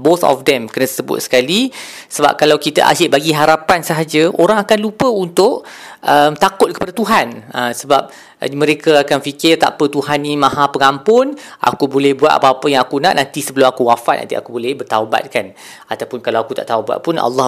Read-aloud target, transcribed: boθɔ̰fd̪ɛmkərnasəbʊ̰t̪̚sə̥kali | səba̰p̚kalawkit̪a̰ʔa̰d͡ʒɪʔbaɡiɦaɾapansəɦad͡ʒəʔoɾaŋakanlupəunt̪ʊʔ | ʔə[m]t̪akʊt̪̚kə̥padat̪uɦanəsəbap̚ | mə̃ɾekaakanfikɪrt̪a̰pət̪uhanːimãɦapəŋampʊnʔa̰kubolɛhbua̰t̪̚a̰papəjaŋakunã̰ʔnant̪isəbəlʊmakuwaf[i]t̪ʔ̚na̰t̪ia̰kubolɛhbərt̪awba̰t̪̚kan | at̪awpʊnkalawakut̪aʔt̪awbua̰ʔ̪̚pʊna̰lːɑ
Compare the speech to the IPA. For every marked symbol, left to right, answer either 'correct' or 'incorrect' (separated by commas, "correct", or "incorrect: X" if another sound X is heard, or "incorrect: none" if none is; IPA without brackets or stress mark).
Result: correct, incorrect: a